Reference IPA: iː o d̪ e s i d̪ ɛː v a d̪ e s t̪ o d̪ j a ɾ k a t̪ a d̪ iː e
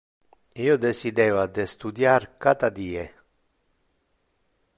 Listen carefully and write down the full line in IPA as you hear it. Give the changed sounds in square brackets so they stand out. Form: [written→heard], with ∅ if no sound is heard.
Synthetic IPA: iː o d̪ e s i d̪ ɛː v a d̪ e s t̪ [o→u] d̪ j a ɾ k a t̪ a d̪ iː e